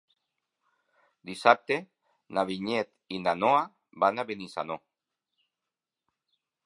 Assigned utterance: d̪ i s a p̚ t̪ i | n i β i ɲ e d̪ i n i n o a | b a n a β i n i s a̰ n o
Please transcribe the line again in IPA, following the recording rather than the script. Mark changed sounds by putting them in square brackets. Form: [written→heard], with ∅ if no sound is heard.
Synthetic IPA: d̪ i s a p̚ t̪ [i→e] | n [i→a] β i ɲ e [d̪→t̪] i n [i→a] n o a | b a n a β [i→e] n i s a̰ n o